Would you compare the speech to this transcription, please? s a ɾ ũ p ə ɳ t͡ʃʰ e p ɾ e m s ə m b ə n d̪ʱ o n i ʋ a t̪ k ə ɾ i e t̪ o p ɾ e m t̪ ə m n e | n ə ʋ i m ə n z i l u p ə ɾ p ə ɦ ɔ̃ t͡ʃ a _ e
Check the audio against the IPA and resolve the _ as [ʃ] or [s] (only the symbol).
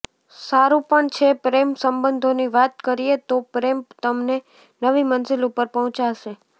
ʃ